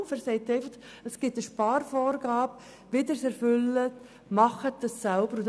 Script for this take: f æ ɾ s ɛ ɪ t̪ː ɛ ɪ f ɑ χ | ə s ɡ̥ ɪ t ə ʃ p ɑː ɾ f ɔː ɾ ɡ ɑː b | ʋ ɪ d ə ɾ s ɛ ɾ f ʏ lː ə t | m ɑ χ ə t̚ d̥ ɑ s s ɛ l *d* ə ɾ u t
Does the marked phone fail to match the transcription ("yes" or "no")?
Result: yes